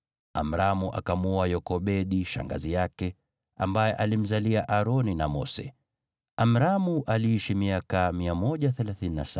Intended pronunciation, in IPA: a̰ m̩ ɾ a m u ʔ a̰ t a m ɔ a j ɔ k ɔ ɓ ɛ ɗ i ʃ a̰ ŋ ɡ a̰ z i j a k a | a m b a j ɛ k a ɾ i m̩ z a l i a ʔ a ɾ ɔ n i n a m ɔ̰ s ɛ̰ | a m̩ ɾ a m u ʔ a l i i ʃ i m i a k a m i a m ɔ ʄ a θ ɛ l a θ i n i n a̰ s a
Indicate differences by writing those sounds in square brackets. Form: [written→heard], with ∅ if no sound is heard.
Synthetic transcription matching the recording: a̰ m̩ ɾ a m u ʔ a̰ [t→k] a m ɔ a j ɔ k ɔ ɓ ɛ ɗ i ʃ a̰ ŋ ɡ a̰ z i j a k [a→ɛ] | a m b a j ɛ [k→ʔ] a [ɾ→l] i m̩ z a l i a ʔ a ɾ ɔ n i n a m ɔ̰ s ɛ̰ | a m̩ ɾ a m u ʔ a l i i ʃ i m i a k a m i a m ɔ ʄ a θ ɛ l a θ i n i n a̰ s a